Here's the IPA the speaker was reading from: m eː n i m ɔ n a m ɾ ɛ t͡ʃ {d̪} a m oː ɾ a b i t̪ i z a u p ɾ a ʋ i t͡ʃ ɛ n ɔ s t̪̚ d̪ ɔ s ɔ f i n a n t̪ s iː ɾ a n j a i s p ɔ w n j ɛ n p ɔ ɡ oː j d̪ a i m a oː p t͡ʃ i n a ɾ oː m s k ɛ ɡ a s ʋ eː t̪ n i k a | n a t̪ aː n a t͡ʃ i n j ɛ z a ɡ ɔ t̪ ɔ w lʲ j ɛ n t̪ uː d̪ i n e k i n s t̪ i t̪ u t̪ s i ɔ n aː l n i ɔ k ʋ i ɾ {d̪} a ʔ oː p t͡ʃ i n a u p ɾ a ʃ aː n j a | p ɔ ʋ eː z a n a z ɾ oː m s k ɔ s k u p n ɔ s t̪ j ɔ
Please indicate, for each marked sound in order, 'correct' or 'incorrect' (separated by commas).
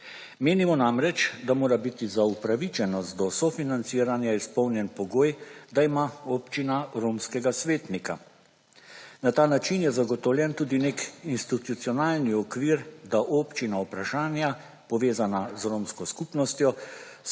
correct, correct